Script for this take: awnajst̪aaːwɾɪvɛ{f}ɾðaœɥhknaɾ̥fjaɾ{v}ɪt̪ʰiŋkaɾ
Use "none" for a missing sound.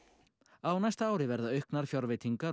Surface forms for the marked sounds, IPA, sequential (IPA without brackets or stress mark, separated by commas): none, v